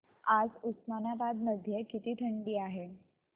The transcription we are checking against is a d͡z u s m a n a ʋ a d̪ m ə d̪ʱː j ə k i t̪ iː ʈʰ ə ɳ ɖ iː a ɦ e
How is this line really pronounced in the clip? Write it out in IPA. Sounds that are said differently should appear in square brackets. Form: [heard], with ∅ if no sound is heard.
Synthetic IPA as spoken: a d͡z u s m a n a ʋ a d̪ m ə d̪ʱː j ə k i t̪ iː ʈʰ ə ɳ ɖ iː a ɦ e